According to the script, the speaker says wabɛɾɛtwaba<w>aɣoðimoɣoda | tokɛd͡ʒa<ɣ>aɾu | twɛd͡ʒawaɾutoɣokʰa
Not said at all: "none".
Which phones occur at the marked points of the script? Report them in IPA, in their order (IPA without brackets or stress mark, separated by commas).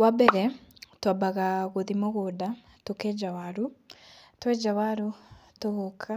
ɣ, w